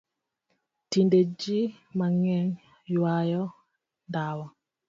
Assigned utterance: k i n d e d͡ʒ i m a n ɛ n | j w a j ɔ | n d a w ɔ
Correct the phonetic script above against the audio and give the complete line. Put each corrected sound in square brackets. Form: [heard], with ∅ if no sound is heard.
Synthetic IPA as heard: [t] i n d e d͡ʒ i m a [ŋ] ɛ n | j w a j ɔ | n d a w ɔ